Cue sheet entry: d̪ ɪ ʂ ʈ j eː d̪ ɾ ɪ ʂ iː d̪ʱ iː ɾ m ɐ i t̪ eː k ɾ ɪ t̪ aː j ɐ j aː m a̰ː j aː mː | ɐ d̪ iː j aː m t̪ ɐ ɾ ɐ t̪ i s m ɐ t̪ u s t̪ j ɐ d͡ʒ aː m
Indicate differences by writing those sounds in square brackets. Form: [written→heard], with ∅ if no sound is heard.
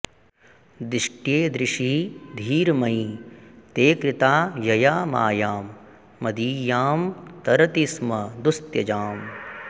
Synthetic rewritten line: d̪ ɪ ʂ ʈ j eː d̪ ɾ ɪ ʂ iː d̪ʱ iː ɾ m ɐ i t̪ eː k ɾ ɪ t̪ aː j ɐ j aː m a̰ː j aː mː | ɐ d̪ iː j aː m t̪ ɐ ɾ ɐ t̪ i s m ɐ [t̪→d̪] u s t̪ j ɐ d͡ʒ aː m